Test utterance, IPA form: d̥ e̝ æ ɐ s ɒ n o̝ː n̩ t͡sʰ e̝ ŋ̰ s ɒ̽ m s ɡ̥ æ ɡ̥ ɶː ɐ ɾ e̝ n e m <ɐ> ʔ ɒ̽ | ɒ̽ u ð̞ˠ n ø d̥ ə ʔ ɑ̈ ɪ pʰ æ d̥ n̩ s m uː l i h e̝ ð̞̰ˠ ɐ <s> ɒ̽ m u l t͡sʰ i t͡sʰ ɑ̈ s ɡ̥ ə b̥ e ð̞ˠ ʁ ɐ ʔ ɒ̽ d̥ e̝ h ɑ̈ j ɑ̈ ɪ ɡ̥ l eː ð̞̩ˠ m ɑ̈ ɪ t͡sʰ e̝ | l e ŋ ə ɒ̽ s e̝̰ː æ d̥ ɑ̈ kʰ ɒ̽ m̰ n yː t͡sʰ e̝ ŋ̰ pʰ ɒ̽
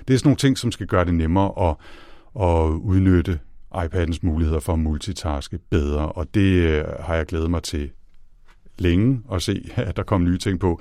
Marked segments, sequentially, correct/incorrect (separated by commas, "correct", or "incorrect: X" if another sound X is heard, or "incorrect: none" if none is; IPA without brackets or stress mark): incorrect: ɐː, incorrect: f